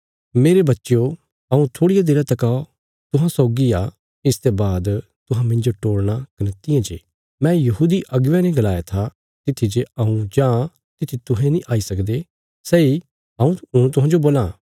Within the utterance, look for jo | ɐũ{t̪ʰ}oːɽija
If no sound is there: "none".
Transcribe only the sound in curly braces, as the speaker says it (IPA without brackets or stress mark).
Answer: t̪ʰ